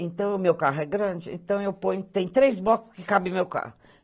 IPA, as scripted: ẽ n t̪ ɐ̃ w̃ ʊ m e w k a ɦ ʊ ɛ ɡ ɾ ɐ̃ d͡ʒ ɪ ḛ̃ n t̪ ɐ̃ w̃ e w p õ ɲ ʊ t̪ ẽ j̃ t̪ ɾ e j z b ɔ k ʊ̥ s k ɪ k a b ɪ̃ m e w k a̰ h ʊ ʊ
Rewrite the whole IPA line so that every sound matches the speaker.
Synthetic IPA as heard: ẽ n t̪ ɐ̃ w̃ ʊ m e w k a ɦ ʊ ɛ ɡ ɾ ɐ̃ d͡ʒ ɪ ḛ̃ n t̪ ɐ̃ w̃ e w p õ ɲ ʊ t̪ ẽ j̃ t̪ ɾ e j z b ɔ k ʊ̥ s k ɪ k a b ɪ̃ m e w k a̰ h ʊ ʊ